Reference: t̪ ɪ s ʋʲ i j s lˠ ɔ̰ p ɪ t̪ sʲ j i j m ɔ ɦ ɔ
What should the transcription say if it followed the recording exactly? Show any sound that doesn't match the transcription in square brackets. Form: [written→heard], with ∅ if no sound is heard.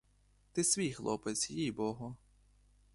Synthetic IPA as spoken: t̪ ɪ s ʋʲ i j [s→x] lˠ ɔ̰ p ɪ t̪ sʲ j i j [m→b] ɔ ɦ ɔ